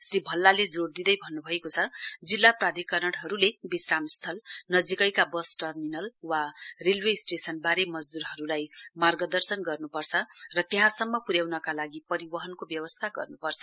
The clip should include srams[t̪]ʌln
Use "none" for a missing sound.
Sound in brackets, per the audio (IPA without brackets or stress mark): t̪ʰ